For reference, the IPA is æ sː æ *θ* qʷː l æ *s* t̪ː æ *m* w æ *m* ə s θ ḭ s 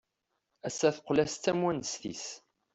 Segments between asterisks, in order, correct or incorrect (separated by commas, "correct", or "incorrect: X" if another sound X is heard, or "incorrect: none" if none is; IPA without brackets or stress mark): correct, correct, correct, incorrect: n